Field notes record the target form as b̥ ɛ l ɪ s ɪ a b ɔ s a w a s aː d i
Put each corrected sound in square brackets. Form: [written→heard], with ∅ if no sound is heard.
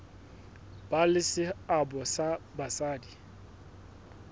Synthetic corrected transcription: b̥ [ɛ→a] l ɪ s ɪ a b ɔ s a [w→b] a s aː d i

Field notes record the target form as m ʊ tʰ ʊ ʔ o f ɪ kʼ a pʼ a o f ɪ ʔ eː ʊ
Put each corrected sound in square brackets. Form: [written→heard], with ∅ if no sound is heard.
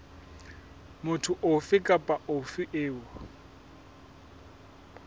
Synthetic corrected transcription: m ʊ tʰ ʊ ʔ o f ɪ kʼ a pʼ a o f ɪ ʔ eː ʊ

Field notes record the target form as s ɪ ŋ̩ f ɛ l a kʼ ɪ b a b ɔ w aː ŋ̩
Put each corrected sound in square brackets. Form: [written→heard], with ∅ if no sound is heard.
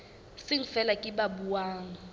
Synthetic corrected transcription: s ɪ ŋ̩ f ɛ l a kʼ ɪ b a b [ɔ→u] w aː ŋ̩

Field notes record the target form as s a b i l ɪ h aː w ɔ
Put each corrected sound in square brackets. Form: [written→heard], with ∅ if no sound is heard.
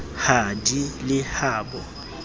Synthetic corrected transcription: [s→h] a [b→d] i l ɪ h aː [w→b] ɔ

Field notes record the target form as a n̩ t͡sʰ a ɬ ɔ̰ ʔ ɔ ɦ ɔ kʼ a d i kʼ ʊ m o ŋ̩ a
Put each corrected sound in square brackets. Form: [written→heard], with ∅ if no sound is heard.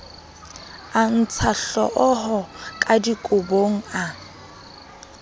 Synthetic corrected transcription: a n̩ t͡sʰ a ɬ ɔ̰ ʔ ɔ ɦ ɔ kʼ a d i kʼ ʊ [m→b] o ŋ̩ a

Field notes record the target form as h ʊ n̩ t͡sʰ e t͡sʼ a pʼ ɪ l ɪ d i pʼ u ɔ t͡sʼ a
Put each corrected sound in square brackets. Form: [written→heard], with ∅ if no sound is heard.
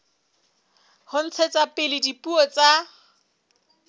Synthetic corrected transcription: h ʊ n̩ t͡sʰ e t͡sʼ a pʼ ɪ l ɪ d i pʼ u ɔ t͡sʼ a

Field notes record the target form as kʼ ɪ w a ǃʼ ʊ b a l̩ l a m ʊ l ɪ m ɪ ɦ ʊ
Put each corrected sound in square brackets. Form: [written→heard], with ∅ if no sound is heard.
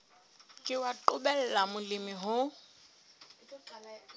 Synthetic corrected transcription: kʼ ɪ w a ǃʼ ʊ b [a→ɛ] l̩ l a m ʊ l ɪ m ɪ ɦ ʊ

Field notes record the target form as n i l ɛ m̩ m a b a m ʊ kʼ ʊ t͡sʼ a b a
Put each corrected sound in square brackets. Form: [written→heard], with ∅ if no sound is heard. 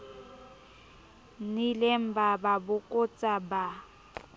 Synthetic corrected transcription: n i l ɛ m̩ [m→b] a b a [m→b] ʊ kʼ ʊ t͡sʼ a b a

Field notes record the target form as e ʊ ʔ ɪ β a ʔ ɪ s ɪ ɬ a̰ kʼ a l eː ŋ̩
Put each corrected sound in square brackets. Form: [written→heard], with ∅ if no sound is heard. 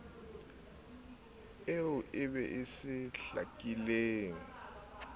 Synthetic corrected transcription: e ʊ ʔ ɪ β [a→ɛ] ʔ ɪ s ɪ ɬ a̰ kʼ [a→i] l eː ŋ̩

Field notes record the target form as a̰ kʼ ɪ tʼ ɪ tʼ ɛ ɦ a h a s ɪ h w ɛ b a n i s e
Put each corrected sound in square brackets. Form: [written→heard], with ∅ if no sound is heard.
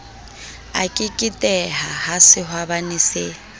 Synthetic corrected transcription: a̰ kʼ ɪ [tʼ→kʼ] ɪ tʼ ɛ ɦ a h a s ɪ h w [ɛ→a] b a n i s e

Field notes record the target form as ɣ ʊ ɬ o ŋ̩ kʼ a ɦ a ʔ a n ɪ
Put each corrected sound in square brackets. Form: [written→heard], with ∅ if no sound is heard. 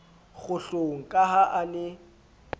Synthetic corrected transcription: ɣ ʊ ɬ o ŋ̩ kʼ a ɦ a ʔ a n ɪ

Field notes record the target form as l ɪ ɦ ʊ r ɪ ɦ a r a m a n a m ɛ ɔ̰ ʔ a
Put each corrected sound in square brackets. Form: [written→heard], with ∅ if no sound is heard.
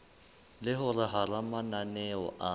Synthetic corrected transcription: l ɪ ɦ ʊ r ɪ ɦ a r a m a n a [m→n] ɛ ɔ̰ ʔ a

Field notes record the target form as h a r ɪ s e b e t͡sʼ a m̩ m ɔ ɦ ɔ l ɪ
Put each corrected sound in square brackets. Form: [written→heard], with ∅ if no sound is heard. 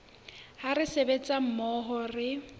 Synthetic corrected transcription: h a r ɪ s e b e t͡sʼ a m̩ m ɔ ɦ ɔ [l→r] ɪ

